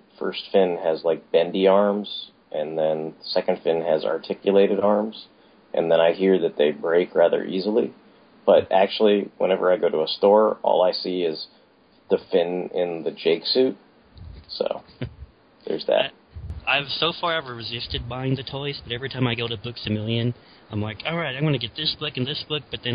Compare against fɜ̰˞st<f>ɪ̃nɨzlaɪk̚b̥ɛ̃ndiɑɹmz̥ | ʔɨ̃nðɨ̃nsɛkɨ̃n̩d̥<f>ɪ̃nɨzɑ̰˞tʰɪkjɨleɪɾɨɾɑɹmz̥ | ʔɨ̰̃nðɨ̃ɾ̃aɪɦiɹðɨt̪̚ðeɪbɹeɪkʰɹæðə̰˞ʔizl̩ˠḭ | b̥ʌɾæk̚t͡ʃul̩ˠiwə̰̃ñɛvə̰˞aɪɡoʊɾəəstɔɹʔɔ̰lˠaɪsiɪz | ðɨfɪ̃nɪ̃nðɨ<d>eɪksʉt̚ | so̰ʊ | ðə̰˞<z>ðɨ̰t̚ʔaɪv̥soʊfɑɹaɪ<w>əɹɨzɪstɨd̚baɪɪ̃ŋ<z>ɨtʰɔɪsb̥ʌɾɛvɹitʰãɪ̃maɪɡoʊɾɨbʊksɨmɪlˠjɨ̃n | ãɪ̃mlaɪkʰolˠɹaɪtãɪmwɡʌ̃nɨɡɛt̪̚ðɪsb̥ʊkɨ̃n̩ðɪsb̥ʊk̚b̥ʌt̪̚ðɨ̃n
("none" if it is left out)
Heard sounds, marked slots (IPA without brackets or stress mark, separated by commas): f, f, d͡ʒ, z, v, ð